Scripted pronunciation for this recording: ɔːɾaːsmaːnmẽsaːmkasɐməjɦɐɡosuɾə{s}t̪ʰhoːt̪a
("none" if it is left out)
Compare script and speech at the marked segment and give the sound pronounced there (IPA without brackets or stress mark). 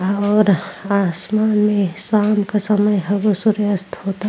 s